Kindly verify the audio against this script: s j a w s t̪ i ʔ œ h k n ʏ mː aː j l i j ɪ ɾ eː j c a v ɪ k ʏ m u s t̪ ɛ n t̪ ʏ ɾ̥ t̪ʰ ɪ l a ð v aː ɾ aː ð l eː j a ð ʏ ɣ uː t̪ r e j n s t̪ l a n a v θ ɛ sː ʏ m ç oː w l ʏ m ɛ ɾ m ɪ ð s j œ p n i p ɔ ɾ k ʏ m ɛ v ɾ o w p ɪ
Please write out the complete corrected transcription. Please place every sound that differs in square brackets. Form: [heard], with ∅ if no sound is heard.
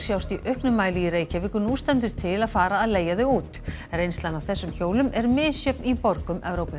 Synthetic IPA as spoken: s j a w s t̪ i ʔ œ h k n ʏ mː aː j l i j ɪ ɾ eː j c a v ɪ k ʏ [n] u s t̪ ɛ n t̪ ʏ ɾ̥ t̪ʰ ɪ l a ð [f] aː ɾ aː ð l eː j a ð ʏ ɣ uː t̪ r e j n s t̪ l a n a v θ ɛ sː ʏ m ç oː w l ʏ m ɛ ɾ m ɪ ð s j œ p n i p ɔ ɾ k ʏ m ɛ v ɾ o w p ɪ

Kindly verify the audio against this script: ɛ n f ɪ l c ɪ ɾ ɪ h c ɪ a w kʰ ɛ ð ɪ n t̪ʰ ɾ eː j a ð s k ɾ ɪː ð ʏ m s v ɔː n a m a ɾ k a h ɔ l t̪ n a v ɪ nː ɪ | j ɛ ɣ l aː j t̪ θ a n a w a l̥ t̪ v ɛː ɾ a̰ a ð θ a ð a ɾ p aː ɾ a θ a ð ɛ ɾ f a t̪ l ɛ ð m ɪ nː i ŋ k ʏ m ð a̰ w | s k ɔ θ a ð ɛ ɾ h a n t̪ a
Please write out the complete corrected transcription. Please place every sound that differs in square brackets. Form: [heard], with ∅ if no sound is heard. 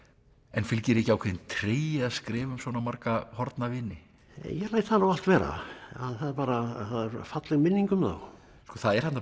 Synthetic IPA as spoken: ɛ n f ɪ l c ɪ ɾ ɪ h c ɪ a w kʰ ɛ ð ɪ n t̪ʰ ɾ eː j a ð s k ɾ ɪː [v] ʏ m s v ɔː n a m a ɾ k a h ɔ [ɾ] t̪ n a v ɪ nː ɪ | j ɛ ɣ l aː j t̪ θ a n a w a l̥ t̪ v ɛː ɾ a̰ a ð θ a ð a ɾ p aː ɾ a θ a ð ɛ ɾ f a t̪ l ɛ [ɣ] m ɪ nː i ŋ k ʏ m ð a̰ w | s k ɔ θ a ð ɛ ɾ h a n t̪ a

